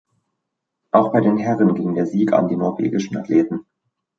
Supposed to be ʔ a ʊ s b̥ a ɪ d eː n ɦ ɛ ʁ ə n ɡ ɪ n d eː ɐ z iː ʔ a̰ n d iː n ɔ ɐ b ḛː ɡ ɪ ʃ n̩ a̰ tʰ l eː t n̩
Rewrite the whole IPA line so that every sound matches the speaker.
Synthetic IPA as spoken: ʔ a ʊ x b̥ a ɪ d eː n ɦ ɛ ʁ ə n ɡ ɪ ŋ d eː ɐ z iː k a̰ n d iː n ɔ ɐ v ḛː ɡ ɪ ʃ n̩ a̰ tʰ l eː t n̩